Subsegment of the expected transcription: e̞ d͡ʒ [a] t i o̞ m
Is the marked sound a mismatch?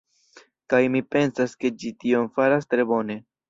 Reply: yes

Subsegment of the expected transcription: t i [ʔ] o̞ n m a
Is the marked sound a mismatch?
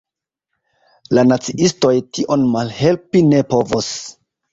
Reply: no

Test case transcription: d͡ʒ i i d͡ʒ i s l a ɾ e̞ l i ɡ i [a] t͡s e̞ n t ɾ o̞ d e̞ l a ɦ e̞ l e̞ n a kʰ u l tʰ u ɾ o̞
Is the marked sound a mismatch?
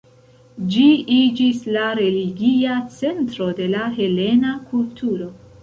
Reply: no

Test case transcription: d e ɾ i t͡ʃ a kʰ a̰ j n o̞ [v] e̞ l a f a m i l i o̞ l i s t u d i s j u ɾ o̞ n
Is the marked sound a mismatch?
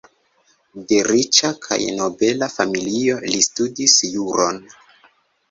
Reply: yes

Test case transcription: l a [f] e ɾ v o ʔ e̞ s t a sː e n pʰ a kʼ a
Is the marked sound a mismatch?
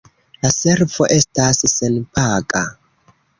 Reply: yes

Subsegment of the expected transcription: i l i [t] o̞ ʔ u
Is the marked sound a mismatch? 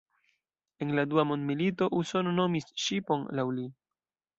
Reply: no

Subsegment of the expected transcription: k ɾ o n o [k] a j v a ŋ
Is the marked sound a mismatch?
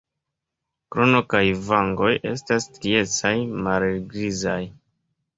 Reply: no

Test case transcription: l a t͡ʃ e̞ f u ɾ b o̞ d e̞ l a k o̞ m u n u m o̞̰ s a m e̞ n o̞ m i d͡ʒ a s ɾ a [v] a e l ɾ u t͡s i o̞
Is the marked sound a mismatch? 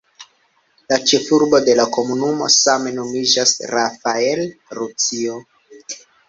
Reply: yes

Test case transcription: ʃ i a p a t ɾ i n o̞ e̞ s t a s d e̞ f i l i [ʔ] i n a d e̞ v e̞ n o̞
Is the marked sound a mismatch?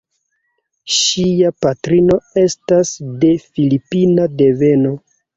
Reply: yes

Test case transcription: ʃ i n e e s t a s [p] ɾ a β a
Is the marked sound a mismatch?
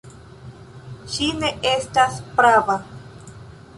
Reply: no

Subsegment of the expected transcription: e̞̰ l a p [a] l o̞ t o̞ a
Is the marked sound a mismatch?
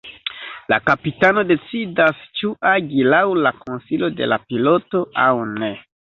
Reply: yes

